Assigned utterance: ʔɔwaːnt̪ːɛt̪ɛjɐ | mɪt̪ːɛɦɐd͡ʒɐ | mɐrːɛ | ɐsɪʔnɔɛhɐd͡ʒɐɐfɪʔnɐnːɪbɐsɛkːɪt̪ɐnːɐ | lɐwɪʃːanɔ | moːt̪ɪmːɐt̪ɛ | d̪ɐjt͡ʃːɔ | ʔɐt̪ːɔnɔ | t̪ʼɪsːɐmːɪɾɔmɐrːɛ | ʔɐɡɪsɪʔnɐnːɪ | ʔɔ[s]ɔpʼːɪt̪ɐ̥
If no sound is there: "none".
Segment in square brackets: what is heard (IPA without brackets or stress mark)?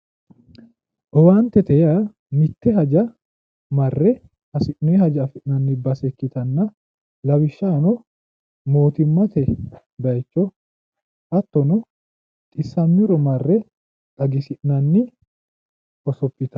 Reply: s